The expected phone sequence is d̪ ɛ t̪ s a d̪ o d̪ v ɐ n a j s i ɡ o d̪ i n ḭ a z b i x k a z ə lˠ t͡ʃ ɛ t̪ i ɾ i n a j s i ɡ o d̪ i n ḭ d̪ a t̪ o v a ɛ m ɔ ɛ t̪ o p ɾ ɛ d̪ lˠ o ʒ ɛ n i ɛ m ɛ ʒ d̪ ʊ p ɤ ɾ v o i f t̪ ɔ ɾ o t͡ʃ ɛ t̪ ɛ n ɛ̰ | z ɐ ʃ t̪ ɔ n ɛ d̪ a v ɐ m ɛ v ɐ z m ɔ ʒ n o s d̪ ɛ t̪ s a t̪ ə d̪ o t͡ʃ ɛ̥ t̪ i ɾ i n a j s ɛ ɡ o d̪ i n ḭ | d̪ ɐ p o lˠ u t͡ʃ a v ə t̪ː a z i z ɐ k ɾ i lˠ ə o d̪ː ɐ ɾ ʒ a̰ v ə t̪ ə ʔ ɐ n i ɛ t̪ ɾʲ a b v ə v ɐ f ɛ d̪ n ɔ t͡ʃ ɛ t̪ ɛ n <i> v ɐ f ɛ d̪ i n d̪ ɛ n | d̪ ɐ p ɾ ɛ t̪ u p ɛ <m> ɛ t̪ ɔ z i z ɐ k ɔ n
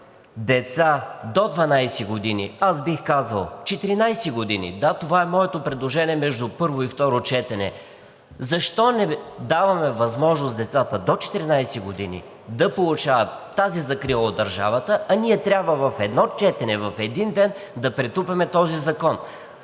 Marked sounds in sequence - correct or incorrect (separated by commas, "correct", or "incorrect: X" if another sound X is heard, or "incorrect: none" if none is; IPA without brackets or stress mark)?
incorrect: ɛ, correct